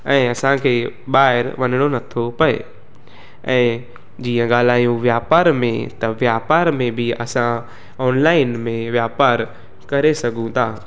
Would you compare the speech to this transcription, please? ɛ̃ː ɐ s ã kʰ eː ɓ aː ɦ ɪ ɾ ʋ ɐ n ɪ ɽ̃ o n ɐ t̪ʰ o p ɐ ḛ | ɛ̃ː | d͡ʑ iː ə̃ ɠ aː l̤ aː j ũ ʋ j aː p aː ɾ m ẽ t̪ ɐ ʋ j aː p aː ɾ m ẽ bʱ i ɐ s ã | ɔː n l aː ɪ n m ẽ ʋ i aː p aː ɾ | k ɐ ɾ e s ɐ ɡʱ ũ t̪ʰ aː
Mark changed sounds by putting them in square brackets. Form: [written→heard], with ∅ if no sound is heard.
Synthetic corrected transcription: ɛ̃ː ɐ s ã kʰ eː ɓ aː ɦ ɪ ɾ ʋ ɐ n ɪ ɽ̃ o n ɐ t̪ʰ o p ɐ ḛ | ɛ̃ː | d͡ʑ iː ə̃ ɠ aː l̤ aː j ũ ʋ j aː p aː ɾ m ẽ t̪ ɐ ʋ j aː p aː ɾ m ẽ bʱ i ɐ s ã | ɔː n l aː ɪ n m ẽ ʋ [i→j] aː p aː ɾ | k ɐ ɾ e s ɐ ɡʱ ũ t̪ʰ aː